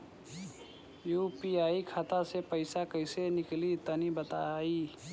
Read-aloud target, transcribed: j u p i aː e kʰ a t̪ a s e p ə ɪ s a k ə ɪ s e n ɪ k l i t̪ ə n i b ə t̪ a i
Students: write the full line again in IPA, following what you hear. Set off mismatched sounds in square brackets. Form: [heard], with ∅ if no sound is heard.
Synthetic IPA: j u p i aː [i] kʰ a t̪ a s e p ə ɪ s a k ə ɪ s e n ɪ k l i t̪ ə n i b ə t̪ a i